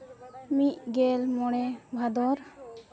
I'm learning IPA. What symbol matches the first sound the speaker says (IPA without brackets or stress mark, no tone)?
m